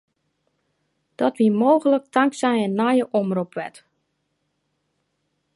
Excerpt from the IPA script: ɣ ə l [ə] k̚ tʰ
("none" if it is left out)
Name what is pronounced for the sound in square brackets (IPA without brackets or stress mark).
ə